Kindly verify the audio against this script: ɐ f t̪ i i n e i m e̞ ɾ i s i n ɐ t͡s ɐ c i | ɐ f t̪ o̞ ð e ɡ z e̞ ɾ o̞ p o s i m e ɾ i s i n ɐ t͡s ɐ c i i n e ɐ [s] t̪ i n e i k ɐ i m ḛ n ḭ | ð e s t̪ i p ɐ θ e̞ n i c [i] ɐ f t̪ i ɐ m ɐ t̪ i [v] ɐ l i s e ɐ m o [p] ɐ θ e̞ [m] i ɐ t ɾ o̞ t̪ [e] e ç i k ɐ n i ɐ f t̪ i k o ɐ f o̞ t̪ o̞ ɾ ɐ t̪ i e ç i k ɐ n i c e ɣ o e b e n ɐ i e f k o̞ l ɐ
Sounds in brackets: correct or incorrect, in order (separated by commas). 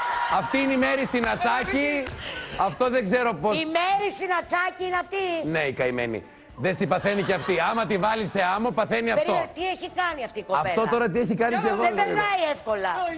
incorrect, incorrect, correct, correct, incorrect, incorrect